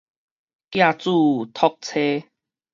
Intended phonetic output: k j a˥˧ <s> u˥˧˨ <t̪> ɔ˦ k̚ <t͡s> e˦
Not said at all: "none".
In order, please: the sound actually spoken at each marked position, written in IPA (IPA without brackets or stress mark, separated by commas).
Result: t͡s, t̪ʰ, t͡sʰ